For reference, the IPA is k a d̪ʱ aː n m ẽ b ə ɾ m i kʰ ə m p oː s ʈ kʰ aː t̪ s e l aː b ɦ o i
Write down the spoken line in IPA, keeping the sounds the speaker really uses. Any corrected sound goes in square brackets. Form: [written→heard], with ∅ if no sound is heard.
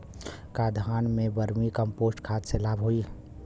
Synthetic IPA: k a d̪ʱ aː n m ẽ b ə ɾ m i [kʰ→k] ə m p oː s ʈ kʰ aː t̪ s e l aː b ɦ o i